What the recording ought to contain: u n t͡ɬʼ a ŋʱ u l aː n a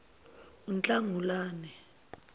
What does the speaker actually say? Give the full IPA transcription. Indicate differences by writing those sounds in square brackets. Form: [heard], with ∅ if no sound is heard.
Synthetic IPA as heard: u n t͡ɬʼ a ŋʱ u l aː n [ɛ]